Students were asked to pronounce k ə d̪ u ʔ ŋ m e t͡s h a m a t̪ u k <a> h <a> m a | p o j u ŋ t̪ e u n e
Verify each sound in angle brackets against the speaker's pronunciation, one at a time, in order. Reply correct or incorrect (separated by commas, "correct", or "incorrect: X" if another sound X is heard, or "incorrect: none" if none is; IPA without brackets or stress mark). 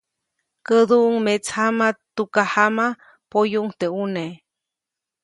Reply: correct, correct